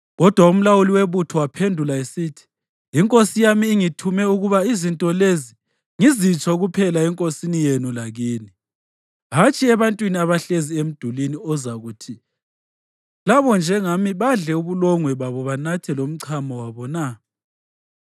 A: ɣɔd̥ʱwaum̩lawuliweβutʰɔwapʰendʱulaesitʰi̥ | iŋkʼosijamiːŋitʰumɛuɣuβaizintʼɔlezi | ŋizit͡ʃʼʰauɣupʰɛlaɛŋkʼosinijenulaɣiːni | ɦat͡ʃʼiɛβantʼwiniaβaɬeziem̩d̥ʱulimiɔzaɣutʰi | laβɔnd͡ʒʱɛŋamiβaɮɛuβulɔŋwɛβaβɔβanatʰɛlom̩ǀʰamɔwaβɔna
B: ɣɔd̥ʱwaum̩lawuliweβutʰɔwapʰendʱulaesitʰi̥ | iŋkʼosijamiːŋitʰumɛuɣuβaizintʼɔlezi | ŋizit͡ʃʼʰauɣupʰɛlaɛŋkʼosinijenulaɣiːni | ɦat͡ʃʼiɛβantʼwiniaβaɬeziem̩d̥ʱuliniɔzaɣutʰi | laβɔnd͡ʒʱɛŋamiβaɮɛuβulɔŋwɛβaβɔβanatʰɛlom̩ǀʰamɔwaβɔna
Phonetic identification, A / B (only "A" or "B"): B